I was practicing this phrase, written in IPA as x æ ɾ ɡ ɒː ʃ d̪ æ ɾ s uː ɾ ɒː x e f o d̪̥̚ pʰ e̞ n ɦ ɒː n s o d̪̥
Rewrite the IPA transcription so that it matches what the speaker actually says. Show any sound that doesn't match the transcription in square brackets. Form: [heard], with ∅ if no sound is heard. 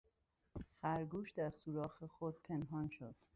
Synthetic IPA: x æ ɾ ɡ [uː] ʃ d̪ æ ɾ s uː ɾ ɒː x e [x] o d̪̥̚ pʰ e̞ n ɦ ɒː n [ʃ] o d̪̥